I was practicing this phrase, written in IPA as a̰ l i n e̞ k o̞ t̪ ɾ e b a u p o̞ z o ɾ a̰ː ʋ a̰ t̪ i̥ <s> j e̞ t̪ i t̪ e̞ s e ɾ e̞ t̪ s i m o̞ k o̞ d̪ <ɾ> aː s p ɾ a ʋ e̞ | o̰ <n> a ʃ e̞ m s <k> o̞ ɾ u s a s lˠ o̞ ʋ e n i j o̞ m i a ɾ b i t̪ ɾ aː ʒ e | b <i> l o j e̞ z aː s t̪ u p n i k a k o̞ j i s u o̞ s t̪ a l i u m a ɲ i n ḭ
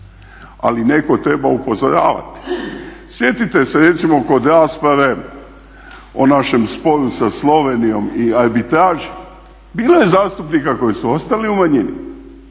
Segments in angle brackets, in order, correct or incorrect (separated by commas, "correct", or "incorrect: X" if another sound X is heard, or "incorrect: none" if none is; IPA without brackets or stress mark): correct, correct, correct, incorrect: p, incorrect: iː